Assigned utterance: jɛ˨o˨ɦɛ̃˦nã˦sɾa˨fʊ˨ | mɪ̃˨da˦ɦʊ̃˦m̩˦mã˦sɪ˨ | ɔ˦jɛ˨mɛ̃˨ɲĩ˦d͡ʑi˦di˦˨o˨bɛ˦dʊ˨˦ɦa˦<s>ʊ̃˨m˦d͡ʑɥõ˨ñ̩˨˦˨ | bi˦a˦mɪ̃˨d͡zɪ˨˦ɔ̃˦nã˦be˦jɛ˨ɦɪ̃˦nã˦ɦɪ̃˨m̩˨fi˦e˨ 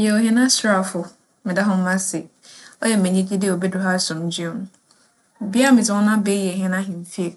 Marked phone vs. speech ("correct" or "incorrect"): correct